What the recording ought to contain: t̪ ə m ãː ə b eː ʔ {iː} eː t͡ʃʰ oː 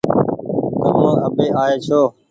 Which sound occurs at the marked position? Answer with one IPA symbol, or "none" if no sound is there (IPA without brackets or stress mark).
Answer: aː